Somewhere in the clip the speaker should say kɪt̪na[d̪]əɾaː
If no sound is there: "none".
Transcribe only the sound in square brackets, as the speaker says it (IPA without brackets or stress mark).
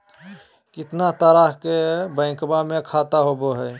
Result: t̪